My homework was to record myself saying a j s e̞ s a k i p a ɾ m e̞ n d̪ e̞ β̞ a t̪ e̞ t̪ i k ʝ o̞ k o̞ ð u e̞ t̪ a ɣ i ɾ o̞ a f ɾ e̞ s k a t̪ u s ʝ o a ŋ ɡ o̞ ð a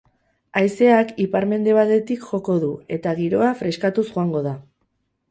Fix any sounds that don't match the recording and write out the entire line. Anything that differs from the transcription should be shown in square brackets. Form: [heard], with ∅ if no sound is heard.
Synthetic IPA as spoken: a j s e̞ [∅] a k i p a ɾ m e̞ n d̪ e̞ β̞ a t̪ e̞ t̪ i k ʝ o̞ k o̞ ð u e̞ t̪ a ɣ i ɾ o̞ a f ɾ e̞ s k a t̪ u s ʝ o a ŋ ɡ o̞ ð a